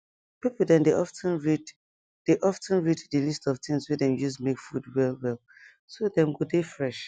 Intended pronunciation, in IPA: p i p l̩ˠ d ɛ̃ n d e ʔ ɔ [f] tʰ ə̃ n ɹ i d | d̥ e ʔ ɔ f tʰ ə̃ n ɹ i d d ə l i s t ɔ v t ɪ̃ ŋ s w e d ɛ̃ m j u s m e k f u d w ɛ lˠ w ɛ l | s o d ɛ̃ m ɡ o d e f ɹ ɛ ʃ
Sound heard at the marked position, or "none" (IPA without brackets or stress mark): f